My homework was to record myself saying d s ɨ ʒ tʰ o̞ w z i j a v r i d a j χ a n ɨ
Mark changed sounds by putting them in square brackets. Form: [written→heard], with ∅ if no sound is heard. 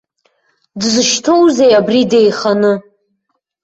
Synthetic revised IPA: d [s→z] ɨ [ʒ→ʃ] tʰ o̞ w z [i→e] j a [v→b] r i d [a→e] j χ a n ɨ